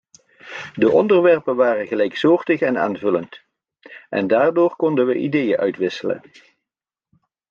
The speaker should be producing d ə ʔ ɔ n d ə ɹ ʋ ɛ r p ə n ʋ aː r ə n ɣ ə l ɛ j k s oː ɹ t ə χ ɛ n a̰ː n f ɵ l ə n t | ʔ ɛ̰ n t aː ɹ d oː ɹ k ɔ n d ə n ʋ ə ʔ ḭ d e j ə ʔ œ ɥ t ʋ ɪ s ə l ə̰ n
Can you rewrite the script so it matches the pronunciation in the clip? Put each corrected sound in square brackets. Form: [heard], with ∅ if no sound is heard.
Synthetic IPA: d ə ʔ ɔ n d ə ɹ ʋ ɛ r p ə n ʋ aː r ə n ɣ ə l ɛ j k s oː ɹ t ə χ ɛ n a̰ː n [v] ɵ l ə n t | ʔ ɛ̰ n [d] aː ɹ d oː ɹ k ɔ n d ə n ʋ ə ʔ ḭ d e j ə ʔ œ ɥ t ʋ ɪ s ə l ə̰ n